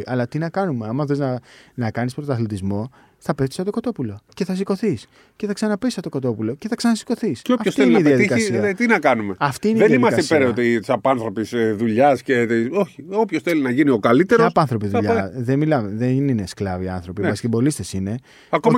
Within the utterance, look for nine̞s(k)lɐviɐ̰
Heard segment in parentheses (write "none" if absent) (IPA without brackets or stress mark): k